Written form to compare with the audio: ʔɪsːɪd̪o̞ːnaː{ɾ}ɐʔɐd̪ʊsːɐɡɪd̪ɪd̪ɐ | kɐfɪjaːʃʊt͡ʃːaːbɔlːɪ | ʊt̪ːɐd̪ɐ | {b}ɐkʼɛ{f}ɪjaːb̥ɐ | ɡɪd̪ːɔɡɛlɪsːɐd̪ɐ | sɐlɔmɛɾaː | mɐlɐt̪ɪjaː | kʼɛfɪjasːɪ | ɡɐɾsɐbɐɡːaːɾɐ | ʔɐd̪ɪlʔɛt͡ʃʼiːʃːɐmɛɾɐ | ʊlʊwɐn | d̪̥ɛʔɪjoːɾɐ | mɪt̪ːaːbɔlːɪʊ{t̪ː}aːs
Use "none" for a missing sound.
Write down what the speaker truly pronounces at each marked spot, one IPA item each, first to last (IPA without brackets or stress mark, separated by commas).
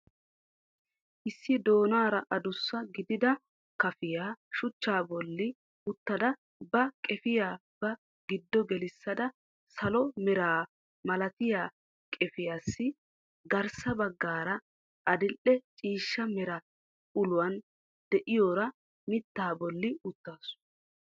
ɾ, b, f, t̪ː